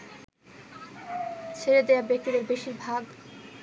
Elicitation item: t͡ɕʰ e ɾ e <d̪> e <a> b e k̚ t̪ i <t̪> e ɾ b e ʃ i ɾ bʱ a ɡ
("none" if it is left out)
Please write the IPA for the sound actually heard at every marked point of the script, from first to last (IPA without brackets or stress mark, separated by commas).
d̪, a, d̪